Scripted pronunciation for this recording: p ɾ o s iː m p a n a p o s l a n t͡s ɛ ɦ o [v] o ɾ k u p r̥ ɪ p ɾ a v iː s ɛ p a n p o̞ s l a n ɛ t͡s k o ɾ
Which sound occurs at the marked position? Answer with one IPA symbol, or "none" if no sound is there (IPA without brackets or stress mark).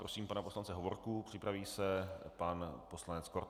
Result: v